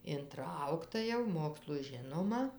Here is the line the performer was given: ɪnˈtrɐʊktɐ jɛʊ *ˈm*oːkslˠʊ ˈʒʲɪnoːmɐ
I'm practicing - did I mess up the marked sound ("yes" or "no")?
no